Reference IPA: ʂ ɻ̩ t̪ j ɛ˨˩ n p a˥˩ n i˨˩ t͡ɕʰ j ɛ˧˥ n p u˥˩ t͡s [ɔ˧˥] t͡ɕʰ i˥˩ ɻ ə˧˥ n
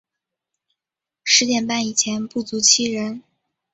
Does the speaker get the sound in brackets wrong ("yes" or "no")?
yes